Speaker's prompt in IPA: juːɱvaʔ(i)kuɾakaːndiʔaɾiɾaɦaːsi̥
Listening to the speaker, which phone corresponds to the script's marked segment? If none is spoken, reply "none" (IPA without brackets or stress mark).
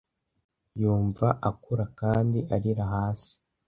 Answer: a